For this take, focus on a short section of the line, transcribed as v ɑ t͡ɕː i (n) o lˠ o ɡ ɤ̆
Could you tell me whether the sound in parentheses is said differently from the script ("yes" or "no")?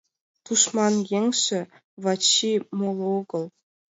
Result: yes